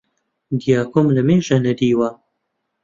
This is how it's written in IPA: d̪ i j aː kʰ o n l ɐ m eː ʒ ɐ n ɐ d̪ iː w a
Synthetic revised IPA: d̪ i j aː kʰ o m l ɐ m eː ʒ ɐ n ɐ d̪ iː w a

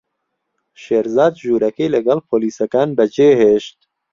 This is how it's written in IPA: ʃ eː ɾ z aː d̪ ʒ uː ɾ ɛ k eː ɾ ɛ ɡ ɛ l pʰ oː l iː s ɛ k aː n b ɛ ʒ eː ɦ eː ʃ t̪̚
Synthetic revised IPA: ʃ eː ɾ z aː d̪ ʒ uː ɾ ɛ k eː l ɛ ɡ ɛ l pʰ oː l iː s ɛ k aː n b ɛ d͡ʒ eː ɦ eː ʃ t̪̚

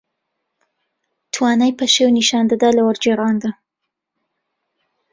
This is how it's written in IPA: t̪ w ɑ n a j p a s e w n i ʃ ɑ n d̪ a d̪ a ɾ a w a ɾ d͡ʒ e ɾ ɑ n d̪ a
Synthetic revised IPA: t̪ w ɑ n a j p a ʃ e w n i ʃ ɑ n d̪ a d̪ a l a w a ɾ d͡ʒ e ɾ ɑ n d̪ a

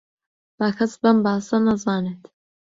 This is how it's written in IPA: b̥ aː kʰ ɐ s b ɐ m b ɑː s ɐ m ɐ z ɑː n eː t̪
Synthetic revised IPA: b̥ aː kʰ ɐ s b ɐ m b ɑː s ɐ n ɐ z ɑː n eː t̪

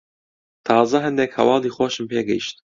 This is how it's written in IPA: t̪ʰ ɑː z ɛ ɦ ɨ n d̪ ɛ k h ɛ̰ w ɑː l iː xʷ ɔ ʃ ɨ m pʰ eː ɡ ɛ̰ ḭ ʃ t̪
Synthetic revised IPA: t̪ʰ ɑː z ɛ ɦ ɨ n d̪ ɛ k h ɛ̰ w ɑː l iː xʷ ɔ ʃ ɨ m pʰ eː ɡ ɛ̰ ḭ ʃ t̪

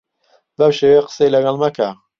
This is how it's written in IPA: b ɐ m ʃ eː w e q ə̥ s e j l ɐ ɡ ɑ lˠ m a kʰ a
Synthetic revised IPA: b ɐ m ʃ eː w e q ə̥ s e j l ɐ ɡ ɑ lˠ m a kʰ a

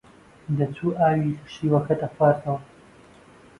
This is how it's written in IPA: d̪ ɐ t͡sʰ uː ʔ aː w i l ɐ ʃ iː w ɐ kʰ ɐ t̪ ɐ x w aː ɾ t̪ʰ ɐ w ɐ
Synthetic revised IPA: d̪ ɐ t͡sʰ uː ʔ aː w i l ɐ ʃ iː w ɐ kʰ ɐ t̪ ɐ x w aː ɾ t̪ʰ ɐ w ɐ

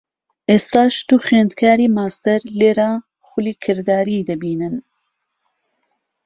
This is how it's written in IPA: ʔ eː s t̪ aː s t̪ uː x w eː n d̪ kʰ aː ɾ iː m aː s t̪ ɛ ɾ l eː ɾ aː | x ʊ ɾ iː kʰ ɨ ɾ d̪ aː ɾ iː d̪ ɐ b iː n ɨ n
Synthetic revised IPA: ʔ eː s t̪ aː ʃ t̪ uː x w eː n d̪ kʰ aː ɾ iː m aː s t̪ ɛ ɾ l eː ɾ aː | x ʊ l iː kʰ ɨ ɾ d̪ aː ɾ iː d̪ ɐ b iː n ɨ n

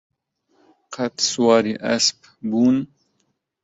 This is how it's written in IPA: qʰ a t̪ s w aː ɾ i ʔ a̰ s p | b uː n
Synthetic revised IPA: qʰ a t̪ s w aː ɾ i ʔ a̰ s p | b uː n

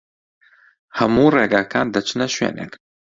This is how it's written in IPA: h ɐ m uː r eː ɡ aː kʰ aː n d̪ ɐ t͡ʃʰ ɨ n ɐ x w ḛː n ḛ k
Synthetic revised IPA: h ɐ m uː r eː ɡ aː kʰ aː n d̪ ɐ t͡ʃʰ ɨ n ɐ ʃ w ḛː n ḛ k

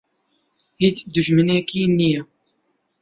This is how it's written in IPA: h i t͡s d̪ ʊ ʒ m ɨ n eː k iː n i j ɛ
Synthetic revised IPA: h i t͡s d̪ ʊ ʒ m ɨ n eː k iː n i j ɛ

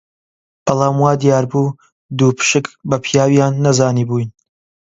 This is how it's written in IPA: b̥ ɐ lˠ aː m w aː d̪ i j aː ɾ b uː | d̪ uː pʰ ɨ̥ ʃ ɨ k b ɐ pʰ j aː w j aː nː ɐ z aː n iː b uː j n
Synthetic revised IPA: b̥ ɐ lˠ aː m w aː d̪ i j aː ɾ b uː | d̪ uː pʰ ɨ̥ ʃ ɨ k b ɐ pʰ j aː w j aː nː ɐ z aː n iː b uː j n

